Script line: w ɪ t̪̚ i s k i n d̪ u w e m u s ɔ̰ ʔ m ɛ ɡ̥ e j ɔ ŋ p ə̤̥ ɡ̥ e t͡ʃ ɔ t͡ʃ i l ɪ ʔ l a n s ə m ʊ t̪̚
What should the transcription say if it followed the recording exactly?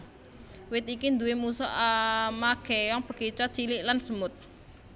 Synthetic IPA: w ɪ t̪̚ i k i n d̪ u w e m u s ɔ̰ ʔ m a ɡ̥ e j ɔ ŋ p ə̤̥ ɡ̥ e t͡ʃ ɔ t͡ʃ i l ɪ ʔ l a n s ə m ʊ t̪̚